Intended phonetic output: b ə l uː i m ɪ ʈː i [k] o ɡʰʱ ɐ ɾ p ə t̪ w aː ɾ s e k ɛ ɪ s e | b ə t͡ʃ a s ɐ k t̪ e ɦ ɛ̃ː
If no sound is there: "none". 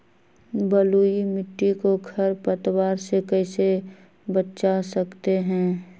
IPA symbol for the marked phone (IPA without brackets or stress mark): k